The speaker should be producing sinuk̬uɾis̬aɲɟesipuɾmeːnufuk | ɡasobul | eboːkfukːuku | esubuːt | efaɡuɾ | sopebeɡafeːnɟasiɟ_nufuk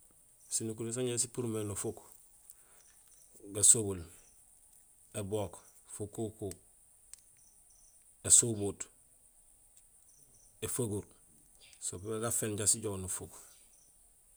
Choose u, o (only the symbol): o